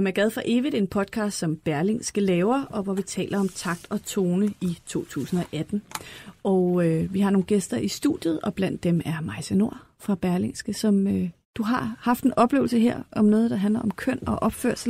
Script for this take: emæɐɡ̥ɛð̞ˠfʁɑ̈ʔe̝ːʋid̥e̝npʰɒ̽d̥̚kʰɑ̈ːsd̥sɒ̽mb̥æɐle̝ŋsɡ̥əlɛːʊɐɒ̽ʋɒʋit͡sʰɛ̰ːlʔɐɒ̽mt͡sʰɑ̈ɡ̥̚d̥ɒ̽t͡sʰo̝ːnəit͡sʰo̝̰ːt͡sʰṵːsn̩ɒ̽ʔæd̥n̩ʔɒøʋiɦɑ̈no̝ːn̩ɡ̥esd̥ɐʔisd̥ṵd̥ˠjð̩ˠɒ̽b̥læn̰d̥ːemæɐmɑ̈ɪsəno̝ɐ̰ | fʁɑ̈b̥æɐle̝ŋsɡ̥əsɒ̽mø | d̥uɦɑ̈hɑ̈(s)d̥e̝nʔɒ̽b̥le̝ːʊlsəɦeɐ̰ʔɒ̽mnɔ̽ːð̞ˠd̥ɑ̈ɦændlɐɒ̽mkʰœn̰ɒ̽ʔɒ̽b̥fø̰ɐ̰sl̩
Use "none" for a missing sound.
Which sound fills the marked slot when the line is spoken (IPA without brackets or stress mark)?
f